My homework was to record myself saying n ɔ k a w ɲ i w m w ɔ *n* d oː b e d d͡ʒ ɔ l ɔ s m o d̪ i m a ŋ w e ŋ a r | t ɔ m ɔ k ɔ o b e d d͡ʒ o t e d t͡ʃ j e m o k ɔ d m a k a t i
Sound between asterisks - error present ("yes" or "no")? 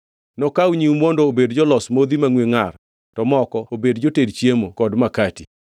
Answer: no